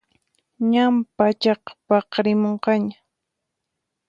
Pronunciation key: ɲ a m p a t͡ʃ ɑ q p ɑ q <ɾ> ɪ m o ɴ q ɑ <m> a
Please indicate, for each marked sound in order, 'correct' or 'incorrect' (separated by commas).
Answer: correct, incorrect